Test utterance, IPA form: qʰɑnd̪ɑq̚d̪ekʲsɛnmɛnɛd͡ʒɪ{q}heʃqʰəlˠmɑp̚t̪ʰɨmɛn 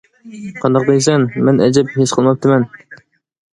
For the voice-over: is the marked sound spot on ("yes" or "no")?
no